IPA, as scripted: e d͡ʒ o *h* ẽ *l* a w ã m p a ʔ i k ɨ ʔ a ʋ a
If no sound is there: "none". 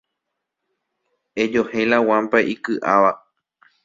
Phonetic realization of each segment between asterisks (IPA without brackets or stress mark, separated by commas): h, l